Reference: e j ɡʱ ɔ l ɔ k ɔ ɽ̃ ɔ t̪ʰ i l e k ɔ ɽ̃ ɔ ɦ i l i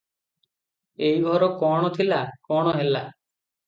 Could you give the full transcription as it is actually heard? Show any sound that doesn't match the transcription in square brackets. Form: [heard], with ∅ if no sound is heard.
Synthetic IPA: e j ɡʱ ɔ [ɾ] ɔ k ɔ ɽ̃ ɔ t̪ʰ i l [a] k ɔ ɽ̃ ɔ ɦ [e] l [a]